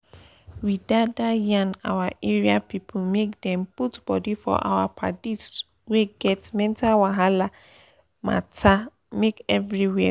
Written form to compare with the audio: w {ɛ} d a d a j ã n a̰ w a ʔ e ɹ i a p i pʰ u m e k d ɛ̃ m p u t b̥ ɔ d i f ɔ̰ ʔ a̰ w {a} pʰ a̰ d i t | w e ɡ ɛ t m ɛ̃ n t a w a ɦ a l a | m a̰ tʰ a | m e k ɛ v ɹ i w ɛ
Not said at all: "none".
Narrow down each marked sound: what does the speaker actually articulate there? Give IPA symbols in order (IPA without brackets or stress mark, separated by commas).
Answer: i, a